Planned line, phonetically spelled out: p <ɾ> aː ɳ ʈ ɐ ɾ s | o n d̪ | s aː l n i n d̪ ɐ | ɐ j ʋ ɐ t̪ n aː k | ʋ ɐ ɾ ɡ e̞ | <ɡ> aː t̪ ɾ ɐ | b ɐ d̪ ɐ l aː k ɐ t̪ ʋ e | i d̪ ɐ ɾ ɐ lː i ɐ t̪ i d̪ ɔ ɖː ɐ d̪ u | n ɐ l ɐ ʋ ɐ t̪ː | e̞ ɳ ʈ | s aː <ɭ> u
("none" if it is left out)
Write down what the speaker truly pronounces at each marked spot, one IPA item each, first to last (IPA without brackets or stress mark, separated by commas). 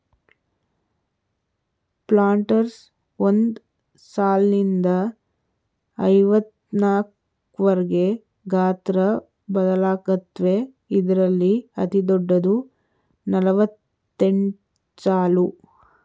l, ɡ, l